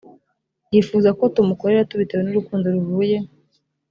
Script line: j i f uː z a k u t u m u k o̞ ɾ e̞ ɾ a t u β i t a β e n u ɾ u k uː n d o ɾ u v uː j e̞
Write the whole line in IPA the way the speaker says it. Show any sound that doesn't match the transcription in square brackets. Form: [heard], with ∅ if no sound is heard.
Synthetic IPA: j i f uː z a k [o] t u m u k o̞ ɾ e̞ ɾ a t u β i t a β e n u ɾ u k uː n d o ɾ u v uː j e̞